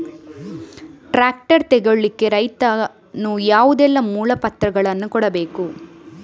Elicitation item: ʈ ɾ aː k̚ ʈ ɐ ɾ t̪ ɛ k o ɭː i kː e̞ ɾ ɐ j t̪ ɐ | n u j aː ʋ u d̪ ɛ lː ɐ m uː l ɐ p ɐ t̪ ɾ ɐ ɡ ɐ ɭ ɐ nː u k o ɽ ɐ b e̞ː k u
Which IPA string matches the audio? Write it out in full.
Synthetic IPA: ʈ ɾ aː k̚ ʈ ɐ ɾ t̪ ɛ ɡ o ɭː i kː e̞ ɾ ɐ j t̪ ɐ | n u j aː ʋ u d̪ ɛ lː ɐ m uː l ɐ p ɐ t̪ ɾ ɐ ɡ ɐ ɭ ɐ nː u k ɔ ɽ ɐ b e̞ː k u